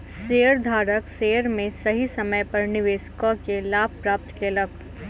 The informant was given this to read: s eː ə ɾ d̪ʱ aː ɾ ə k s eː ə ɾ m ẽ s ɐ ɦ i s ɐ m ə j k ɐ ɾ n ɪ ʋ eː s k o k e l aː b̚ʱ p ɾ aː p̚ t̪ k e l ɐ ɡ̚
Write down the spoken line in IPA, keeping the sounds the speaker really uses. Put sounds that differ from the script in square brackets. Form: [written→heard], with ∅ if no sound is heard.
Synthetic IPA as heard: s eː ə ɾ d̪ʱ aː ɾ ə k s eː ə ɾ m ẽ s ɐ ɦ i s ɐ m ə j [k→p] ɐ ɾ n ɪ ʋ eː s k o k e l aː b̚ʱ p ɾ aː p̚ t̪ k e l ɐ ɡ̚